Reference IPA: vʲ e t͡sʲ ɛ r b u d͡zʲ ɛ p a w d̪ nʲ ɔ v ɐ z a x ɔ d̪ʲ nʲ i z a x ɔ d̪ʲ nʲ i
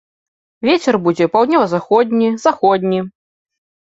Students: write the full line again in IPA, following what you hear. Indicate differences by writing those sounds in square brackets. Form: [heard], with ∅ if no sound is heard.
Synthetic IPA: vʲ e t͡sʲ ɛ r b u d͡zʲ ɛ p a w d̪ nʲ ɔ v ɐ z a x ɔ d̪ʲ nʲ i z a x ɔ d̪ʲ nʲ i